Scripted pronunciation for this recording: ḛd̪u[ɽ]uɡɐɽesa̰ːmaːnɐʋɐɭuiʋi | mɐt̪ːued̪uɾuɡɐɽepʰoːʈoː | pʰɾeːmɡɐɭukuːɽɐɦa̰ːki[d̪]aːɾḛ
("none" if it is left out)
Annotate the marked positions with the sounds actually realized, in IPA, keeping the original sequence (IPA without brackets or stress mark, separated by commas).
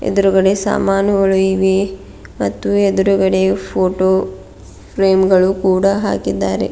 ɾ, d̪ː